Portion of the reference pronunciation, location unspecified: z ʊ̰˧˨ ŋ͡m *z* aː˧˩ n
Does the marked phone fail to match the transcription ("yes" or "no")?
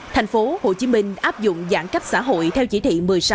no